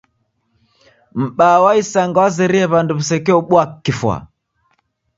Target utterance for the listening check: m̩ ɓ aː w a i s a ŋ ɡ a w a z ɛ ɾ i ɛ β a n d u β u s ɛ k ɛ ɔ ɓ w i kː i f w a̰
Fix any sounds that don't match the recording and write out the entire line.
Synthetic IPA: m̩ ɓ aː w a i s a ŋ ɡ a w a z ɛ ɾ i ɛ β a n d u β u s ɛ k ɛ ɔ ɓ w a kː i f w a̰